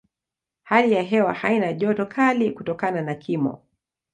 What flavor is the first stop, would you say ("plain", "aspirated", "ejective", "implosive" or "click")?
implosive